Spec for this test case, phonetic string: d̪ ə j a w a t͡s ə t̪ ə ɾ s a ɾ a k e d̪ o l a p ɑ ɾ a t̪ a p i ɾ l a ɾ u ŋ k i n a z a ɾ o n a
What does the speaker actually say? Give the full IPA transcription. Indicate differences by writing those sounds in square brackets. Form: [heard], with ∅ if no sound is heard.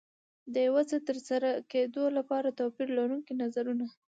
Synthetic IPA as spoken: d̪ ə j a w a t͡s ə t̪ ə ɾ s a ɾ a k e d̪ o l a p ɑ ɾ a t̪ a p i ɾ l a ɾ u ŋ k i n a z a ɾ [u] n a